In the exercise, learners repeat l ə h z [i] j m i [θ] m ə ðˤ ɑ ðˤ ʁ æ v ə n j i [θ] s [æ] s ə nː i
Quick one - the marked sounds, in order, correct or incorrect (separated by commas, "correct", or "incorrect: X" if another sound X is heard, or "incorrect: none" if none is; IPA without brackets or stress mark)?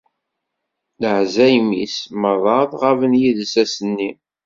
incorrect: æ, incorrect: s, incorrect: ð, correct